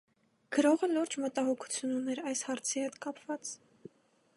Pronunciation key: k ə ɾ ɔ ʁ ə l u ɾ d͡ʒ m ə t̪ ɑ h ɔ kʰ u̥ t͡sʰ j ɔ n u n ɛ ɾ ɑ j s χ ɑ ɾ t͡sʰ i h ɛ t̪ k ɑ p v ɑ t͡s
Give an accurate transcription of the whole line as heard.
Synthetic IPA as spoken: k ə ɾ ɔ ʁ ə l u ɾ d͡ʒ m ə t̪ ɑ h ɔ kʰ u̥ t͡sʰ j u n u n ɛ ɾ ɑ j s h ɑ ɾ t͡sʰ i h ɛ t̪ k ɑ p v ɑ t͡s